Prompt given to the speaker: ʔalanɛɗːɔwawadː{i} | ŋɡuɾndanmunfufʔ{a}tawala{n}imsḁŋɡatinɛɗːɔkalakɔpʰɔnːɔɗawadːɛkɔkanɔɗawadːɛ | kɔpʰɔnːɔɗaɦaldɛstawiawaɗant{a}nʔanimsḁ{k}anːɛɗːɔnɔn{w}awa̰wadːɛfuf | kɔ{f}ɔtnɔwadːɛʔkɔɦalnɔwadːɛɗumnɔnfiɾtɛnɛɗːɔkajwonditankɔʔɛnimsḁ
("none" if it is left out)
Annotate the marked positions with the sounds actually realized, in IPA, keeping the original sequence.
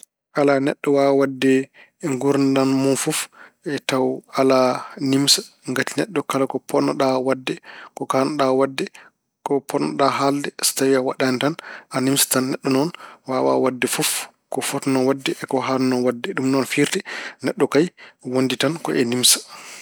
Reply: ɛ, ɛ, n, a, t, w, f

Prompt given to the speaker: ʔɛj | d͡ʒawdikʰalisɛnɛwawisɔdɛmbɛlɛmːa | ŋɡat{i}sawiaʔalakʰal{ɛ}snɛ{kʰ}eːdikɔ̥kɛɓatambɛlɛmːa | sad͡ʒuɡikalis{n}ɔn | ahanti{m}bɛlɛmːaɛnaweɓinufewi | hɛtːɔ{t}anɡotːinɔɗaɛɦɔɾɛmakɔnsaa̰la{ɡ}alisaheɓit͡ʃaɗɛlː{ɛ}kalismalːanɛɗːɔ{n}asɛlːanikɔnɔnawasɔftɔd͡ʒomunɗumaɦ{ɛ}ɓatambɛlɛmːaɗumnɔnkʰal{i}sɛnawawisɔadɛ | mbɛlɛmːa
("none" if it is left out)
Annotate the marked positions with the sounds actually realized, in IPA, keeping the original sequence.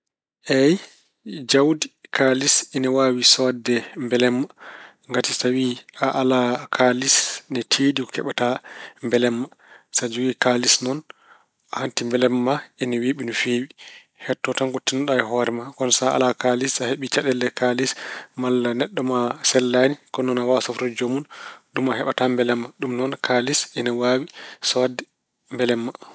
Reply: i, i, tʰ, n, m, t, k, ɛ, m, ɛ, i

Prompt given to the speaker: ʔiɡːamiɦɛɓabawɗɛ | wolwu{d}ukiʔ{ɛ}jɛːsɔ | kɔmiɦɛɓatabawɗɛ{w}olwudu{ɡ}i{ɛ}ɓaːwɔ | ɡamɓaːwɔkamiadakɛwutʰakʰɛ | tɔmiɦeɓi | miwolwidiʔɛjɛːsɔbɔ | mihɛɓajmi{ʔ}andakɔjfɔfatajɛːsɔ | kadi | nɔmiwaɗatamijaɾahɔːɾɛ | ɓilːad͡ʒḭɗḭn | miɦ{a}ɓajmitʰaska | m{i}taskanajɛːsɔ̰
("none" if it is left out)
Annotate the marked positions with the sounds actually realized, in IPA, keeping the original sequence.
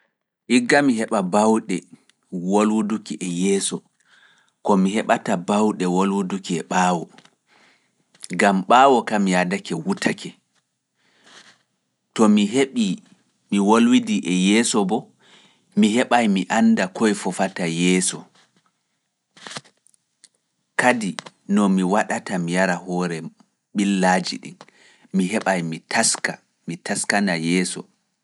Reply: d, ɛ, w, k, ɛ, ʔ, ɛ, i

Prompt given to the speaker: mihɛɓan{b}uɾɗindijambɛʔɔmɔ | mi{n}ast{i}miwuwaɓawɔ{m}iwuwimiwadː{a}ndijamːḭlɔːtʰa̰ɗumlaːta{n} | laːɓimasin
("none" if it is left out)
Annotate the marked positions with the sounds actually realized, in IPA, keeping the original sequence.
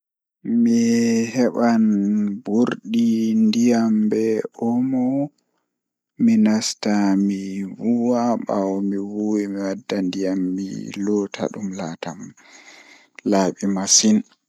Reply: b, n, a, m, a, m

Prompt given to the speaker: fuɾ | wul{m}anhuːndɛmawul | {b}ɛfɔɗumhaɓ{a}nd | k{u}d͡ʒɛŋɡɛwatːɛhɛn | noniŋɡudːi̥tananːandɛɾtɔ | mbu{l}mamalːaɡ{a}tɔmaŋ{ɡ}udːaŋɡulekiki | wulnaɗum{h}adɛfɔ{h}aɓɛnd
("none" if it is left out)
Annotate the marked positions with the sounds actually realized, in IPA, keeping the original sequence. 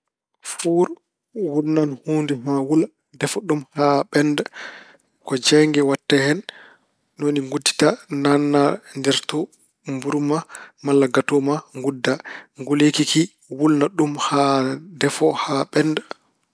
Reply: n, d, ɛ, ɔ, ɾ, a, ɡ, h, h

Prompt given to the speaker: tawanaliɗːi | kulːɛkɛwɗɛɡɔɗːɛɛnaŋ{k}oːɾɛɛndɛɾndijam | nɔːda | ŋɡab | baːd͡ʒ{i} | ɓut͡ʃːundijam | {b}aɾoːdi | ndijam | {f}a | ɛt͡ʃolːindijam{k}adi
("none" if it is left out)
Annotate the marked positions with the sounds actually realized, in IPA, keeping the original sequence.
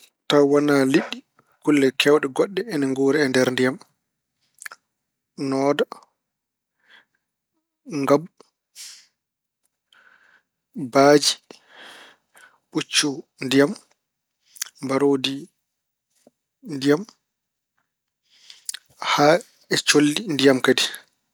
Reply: ɡ, i, b, h, k

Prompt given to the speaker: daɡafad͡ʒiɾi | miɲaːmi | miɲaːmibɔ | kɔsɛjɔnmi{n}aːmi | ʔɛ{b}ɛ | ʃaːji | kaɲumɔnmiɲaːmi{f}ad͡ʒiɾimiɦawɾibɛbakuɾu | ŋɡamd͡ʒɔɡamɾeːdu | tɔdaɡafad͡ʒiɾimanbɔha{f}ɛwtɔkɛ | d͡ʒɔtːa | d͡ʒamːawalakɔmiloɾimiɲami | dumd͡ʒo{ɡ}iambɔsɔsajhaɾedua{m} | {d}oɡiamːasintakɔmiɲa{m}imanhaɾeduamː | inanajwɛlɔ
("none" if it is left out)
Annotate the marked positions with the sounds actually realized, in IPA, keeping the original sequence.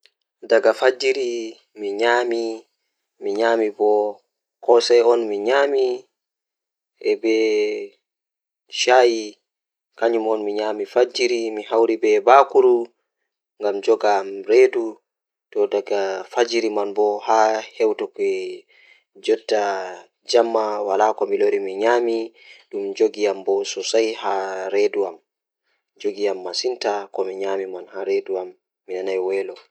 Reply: ɲ, b, f, h, ɡ, m, d͡ʒ, m

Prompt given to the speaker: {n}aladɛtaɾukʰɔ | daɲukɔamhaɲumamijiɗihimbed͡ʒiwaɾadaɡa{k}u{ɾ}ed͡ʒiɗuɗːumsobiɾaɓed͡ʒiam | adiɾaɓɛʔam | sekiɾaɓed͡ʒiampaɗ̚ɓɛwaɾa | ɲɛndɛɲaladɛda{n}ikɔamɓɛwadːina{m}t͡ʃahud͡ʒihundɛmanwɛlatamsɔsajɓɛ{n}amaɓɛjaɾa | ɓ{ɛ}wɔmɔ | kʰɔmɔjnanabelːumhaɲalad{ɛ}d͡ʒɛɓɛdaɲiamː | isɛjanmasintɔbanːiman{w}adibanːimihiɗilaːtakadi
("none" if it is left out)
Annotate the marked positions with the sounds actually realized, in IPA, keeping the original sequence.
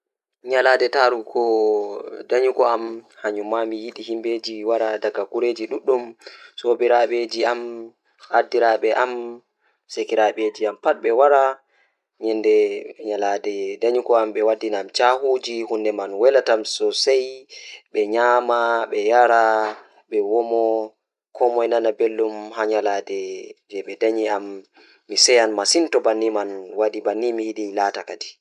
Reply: ɲ, k, ɾ, ɲ, m, ɲ, ɛ, ɛ, w

